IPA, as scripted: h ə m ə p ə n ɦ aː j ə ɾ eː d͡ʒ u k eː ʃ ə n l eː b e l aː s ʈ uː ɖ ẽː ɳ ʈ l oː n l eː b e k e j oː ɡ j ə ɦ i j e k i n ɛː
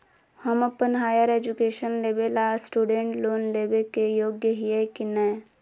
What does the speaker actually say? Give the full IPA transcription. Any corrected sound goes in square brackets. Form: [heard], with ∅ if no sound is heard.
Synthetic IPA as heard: h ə m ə p ə n ɦ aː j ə ɾ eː d͡ʒ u k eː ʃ ə n l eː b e l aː s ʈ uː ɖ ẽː ɳ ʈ l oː n l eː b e k e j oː ɡ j ə ɦ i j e k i n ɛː